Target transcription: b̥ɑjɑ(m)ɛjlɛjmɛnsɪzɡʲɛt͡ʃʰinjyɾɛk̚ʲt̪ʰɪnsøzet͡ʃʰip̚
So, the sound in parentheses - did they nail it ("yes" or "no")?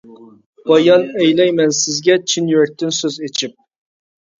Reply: no